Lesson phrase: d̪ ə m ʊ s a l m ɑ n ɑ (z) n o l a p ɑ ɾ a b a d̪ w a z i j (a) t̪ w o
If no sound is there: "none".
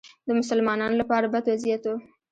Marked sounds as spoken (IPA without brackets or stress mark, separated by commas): none, a